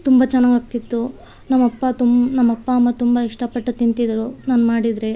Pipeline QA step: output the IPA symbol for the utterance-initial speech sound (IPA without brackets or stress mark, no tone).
t̪